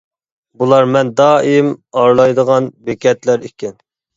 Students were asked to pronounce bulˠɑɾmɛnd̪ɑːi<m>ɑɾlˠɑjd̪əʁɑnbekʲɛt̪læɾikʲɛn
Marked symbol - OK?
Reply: yes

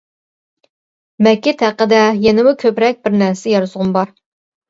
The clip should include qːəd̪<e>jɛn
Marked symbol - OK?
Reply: no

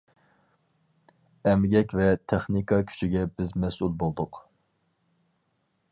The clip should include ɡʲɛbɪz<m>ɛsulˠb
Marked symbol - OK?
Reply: yes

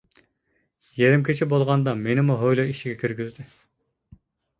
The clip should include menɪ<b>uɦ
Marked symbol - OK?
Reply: no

